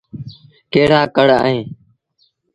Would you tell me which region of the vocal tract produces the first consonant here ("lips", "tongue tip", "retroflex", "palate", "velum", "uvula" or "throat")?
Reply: velum